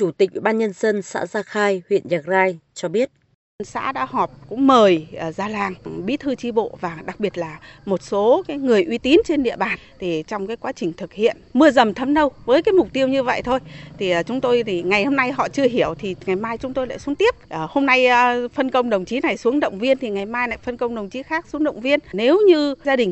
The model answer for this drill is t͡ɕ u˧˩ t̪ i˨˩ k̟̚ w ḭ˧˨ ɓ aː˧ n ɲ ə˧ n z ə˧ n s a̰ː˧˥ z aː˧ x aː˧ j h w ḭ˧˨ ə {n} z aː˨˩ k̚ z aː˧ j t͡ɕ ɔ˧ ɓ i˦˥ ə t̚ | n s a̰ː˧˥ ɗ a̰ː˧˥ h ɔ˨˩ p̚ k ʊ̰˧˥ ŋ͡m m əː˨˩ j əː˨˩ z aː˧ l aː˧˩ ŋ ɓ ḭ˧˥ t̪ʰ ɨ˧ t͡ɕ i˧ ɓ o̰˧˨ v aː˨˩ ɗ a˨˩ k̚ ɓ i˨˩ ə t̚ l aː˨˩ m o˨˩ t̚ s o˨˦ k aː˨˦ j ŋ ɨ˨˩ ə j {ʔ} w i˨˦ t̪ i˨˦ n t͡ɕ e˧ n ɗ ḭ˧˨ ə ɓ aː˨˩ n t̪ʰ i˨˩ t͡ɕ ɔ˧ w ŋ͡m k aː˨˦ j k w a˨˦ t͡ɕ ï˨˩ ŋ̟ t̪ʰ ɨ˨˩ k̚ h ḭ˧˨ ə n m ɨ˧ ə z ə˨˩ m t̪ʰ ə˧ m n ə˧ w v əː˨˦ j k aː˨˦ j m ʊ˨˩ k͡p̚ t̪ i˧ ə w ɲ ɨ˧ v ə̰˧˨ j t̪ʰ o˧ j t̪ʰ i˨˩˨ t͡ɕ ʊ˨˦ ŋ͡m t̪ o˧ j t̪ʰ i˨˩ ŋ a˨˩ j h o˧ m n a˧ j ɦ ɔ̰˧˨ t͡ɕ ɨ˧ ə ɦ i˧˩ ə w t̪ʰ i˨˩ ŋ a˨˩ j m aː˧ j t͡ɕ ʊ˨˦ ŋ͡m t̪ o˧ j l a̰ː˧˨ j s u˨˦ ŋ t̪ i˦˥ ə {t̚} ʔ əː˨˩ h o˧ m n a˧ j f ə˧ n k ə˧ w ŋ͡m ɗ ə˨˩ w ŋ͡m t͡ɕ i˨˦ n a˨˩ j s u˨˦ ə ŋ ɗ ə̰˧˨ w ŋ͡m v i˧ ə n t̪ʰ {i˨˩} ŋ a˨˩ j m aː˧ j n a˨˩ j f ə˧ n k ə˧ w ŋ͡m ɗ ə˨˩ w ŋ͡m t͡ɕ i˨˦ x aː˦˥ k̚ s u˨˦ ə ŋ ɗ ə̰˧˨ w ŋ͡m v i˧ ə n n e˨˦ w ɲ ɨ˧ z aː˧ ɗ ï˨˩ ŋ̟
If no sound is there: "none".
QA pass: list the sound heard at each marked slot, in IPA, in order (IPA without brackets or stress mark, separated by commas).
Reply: n, ʔ, p̚, i˨˩